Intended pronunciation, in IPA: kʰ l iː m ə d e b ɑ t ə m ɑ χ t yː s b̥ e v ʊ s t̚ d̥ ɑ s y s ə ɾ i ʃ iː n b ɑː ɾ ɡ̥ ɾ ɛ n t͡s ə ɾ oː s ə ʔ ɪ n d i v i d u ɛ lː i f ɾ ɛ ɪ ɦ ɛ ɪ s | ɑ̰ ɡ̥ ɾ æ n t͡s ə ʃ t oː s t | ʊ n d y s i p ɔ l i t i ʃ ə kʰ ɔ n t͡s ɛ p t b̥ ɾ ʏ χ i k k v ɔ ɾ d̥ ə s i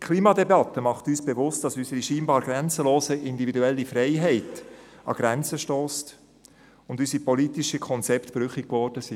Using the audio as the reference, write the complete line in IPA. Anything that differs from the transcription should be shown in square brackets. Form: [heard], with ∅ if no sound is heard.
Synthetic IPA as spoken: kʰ l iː m [ɑ] d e b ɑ t ə m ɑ χ t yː s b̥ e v ʊ s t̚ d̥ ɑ s y s ə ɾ i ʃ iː n b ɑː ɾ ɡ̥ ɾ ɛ n t͡s ə [l] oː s ə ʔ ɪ n d i v i d u ɛ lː i f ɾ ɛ ɪ ɦ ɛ ɪ [t] | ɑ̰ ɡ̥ ɾ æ n t͡s ə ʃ t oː s t | ʊ n d y s i p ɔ l i t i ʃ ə kʰ ɔ n t͡s ɛ p t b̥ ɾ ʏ χ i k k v ɔ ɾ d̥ ə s i